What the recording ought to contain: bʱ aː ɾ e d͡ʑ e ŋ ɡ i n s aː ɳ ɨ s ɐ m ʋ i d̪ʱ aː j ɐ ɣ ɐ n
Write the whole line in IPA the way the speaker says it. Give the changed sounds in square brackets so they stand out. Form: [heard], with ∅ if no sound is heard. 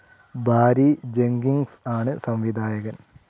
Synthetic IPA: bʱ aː ɾ [i] d͡ʑ e ŋ ɡ i [ŋ] s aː ɳ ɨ s ɐ m ʋ i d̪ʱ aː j ɐ ɣ ɐ n